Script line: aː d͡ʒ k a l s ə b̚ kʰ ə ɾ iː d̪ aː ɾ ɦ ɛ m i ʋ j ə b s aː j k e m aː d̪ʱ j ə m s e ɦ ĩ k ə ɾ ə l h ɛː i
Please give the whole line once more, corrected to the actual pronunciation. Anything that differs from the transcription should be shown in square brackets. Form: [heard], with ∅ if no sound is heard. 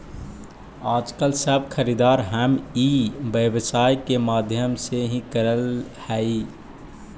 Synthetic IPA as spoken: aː d͡ʒ k [ə] l s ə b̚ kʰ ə ɾ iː d̪ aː ɾ ɦ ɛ m i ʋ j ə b s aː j k e m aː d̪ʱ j ə m s e ɦ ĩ k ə ɾ ə l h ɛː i